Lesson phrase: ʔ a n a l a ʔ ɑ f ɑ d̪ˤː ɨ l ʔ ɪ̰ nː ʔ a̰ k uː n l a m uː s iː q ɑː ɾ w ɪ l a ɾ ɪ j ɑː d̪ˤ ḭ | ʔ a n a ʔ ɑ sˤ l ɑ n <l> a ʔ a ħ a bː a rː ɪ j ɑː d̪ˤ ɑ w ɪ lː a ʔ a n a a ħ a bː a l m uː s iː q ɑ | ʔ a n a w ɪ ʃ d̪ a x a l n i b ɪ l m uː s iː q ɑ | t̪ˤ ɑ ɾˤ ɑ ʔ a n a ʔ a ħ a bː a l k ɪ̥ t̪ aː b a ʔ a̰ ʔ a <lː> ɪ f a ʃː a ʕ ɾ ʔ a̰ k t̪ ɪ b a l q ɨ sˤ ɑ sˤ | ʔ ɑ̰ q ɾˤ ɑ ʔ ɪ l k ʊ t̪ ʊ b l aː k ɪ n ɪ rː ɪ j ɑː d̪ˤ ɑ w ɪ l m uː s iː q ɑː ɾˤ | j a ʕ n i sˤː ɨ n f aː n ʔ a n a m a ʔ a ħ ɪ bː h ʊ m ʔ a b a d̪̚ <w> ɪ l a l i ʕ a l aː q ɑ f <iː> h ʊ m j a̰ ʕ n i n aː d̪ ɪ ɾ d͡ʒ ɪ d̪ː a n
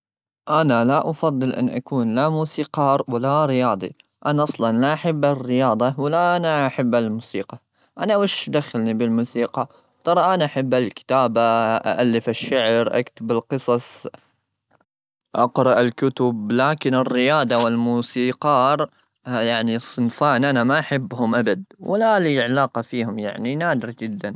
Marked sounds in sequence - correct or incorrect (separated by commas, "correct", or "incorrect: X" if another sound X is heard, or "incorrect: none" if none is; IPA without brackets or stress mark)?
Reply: correct, correct, correct, correct